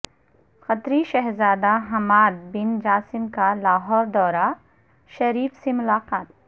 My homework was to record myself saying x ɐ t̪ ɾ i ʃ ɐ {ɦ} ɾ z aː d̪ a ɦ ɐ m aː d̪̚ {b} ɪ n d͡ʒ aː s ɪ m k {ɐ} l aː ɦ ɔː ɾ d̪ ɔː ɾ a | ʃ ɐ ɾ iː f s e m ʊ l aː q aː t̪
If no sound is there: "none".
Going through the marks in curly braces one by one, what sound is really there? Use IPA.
ɦ, b, a

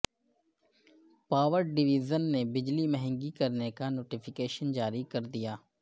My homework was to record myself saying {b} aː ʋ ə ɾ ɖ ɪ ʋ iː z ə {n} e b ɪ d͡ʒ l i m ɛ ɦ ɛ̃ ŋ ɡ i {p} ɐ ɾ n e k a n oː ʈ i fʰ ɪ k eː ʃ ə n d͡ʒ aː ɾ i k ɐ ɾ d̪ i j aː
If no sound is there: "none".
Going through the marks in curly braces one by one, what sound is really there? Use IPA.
p, nː, k

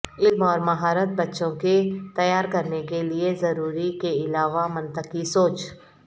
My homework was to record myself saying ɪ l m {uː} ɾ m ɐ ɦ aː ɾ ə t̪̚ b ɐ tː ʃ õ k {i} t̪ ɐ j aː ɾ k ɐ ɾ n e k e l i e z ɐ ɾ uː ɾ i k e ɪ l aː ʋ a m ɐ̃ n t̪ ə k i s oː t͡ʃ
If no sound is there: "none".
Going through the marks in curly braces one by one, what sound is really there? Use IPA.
ɔː, e

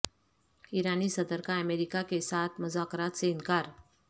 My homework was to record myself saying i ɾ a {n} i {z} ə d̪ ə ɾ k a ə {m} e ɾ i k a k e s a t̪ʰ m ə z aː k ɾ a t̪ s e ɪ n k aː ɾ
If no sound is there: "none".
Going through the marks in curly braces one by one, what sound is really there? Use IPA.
n, s, m

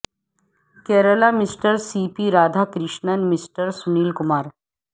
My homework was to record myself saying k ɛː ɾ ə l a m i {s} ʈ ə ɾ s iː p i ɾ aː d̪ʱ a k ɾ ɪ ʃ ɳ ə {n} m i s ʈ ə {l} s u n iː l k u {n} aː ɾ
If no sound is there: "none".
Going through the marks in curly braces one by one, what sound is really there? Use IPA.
s, n, ɾ, m

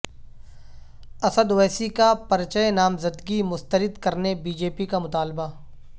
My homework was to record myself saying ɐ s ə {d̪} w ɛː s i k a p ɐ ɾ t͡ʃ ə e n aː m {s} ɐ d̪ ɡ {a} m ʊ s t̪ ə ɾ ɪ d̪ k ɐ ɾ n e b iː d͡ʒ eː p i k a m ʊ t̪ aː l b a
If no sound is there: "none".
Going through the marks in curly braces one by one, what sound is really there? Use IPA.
d̪, z, i

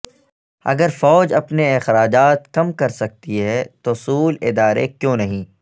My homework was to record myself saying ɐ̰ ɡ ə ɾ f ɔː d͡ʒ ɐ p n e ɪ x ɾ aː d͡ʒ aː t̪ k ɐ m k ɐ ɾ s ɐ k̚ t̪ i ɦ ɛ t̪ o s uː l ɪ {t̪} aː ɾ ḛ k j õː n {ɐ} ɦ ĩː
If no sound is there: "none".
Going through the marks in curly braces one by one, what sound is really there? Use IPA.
d̪, ɐ

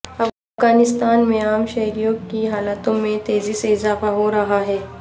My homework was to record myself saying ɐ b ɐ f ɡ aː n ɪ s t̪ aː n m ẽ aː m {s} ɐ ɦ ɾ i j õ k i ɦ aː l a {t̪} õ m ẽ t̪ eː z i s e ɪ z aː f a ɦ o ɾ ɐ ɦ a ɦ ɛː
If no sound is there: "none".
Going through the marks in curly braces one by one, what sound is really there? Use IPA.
ʃ, t̪

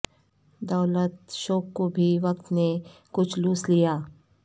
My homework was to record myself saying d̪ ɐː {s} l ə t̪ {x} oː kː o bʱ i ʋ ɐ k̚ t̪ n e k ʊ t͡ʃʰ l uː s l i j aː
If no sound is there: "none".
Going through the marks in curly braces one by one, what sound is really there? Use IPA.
none, ʃ

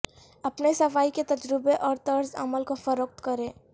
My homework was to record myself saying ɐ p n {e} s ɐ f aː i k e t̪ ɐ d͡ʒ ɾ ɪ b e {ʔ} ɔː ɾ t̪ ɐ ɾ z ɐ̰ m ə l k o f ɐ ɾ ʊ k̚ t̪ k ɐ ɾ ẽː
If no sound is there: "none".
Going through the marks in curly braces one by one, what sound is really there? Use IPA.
e, ʔ

